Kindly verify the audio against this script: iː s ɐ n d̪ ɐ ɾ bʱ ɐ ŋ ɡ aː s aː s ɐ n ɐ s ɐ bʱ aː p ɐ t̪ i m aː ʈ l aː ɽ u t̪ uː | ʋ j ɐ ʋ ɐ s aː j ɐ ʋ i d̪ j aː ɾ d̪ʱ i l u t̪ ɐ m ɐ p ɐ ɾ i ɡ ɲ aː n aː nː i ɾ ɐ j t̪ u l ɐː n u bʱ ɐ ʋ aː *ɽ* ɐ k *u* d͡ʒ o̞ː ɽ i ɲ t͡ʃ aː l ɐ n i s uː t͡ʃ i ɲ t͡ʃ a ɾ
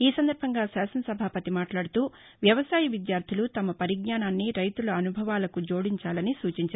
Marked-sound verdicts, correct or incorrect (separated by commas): incorrect, correct